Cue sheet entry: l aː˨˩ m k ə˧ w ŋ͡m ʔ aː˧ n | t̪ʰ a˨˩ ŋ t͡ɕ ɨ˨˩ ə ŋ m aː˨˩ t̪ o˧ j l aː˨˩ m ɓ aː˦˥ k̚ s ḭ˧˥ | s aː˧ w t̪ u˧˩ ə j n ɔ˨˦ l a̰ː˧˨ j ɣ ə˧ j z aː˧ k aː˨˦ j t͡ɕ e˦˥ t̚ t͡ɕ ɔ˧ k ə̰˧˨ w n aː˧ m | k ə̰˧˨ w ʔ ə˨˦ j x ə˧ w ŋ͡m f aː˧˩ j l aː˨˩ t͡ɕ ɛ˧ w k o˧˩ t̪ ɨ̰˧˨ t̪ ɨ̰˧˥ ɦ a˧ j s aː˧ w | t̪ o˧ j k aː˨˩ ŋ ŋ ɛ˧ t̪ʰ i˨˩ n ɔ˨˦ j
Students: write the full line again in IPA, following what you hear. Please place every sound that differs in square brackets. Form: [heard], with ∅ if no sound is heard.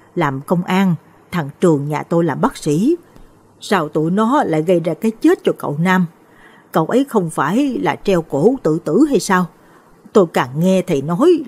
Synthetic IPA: l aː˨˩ m k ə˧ w ŋ͡m ʔ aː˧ n | t̪ʰ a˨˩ ŋ t͡ɕ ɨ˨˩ ə ŋ [ɲ] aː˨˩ t̪ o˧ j l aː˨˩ m ɓ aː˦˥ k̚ s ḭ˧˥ | s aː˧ w t̪ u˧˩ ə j n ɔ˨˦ l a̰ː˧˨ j ɣ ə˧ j z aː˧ k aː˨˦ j t͡ɕ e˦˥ t̚ t͡ɕ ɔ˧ k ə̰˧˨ w n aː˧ m | k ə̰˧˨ w ʔ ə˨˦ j x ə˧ w ŋ͡m f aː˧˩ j l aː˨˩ t͡ɕ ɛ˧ w k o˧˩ t̪ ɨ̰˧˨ t̪ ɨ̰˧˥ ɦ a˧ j s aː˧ w | t̪ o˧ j k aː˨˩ ŋ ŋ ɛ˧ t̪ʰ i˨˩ n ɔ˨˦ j

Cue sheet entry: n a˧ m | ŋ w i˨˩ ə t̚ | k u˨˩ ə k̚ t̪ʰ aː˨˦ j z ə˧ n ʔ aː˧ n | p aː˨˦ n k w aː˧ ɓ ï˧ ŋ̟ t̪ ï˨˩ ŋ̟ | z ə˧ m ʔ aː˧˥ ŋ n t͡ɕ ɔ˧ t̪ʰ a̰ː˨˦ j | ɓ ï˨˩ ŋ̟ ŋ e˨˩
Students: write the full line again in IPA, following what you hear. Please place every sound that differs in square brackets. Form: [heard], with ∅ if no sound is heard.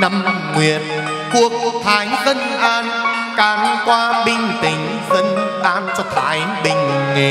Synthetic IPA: n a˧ m | ŋ w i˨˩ ə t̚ | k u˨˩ ə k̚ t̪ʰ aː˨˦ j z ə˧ n ʔ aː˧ n | [k] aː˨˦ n k w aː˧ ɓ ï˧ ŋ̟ t̪ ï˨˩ ŋ̟ | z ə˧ [n] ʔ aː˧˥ [∅] n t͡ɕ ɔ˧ t̪ʰ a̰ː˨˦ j | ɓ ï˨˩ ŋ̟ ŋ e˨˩

